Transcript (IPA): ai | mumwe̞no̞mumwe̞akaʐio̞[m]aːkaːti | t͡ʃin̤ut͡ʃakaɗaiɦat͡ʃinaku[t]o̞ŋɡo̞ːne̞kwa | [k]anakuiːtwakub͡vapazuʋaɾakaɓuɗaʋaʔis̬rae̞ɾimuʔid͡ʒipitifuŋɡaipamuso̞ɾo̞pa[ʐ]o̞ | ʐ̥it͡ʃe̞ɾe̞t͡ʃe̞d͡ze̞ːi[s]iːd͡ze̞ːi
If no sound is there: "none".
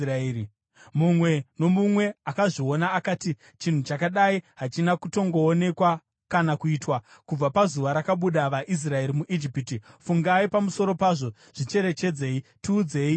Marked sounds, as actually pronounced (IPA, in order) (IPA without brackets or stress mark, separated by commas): n, t, k, ʐ, t